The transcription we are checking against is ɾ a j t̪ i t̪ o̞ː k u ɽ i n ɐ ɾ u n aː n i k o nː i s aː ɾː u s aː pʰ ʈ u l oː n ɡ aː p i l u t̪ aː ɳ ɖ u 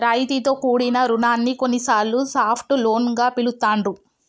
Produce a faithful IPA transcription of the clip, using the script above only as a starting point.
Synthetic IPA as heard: ɾ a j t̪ i t̪ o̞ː k uː ɽ i n ɐ ɾ u n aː nː i k o nː i s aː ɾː u s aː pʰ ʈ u l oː n ɡ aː p i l u t̪ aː ɳ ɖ u